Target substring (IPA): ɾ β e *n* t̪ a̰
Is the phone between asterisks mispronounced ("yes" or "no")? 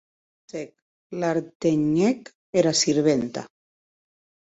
no